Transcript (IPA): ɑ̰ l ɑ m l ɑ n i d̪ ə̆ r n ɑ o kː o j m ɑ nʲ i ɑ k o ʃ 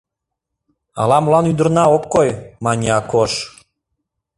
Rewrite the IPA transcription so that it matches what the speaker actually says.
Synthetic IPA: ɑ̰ l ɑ m l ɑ n y d̪ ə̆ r n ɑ o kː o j m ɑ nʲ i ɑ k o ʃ